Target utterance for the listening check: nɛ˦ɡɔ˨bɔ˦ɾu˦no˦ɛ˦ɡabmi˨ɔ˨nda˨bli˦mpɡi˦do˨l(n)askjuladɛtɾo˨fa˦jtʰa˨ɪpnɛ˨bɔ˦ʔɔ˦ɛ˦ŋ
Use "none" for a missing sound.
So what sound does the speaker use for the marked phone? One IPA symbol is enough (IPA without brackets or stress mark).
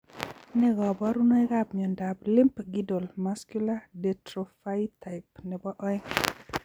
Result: m